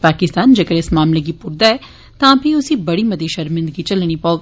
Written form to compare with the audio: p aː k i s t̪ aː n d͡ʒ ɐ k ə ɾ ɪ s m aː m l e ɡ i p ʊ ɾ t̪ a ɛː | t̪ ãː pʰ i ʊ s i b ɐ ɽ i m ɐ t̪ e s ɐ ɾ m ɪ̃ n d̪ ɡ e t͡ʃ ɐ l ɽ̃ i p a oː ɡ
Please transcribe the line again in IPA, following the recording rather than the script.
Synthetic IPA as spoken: p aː k ɪ s t̪ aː n d͡ʒ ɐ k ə ɾ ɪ s m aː m l e ɡ i p ʊ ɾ d̪ a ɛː | t̪ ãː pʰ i ʊ s i b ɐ ɽ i m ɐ d̪ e ʃ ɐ ɾ m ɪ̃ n d̪ ɡ i t͡ʃ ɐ l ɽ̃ i p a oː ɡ